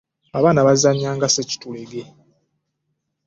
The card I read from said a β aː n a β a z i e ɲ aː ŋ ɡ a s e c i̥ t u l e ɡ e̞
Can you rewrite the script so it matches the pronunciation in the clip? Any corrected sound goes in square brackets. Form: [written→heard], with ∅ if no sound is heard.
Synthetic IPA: a β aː n a β a z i [e→a] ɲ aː ŋ ɡ a s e c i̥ t u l e ɡ e̞